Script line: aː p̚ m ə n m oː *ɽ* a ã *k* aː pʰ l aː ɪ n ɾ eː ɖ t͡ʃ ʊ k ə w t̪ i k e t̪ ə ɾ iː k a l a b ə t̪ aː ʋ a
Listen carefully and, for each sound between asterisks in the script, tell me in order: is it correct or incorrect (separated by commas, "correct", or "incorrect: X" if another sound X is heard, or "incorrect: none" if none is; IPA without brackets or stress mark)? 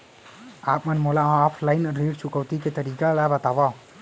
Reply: incorrect: l, incorrect: none